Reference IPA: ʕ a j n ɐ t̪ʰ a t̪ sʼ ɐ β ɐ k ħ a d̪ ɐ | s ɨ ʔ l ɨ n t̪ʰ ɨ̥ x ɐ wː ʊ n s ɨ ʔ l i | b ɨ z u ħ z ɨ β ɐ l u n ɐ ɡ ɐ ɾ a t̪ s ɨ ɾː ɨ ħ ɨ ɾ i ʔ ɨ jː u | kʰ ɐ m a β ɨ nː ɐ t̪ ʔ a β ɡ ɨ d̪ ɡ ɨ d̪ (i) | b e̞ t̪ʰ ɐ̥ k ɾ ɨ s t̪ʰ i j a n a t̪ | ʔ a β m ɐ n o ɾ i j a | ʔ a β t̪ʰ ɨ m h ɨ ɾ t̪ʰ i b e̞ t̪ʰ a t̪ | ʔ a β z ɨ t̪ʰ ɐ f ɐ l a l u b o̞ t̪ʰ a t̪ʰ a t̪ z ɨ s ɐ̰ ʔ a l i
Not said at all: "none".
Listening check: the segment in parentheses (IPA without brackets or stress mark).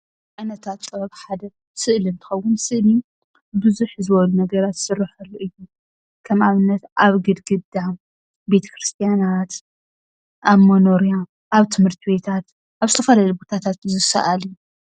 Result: a